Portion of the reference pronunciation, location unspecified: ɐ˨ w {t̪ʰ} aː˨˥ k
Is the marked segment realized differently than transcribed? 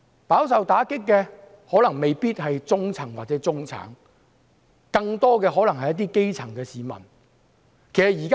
yes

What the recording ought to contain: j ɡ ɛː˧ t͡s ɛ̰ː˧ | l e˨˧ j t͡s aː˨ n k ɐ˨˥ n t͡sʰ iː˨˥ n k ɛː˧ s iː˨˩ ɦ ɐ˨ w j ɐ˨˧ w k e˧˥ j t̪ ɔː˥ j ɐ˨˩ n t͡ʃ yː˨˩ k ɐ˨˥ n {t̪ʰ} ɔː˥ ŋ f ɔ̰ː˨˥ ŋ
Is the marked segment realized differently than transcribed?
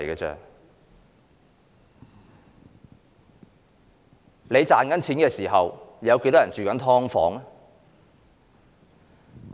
no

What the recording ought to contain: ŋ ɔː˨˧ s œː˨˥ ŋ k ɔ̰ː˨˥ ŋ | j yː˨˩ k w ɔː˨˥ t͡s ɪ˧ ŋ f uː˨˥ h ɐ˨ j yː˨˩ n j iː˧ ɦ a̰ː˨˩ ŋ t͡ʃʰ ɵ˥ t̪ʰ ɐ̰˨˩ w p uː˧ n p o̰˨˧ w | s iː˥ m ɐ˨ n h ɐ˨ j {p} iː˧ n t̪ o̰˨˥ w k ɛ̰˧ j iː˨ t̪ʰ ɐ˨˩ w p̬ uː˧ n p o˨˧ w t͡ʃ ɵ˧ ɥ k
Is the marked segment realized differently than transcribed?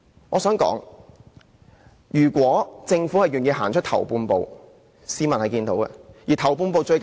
yes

